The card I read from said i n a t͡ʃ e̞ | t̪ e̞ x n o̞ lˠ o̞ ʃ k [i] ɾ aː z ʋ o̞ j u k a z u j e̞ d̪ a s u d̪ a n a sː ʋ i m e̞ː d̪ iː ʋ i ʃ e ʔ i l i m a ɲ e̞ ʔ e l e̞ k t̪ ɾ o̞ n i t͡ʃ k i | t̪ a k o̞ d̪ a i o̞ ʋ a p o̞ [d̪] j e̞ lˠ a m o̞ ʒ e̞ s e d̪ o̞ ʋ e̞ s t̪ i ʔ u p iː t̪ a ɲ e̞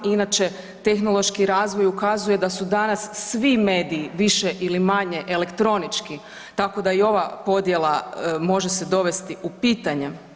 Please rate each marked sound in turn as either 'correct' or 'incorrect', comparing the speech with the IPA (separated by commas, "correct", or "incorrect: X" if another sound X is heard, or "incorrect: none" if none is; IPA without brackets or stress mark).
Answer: correct, correct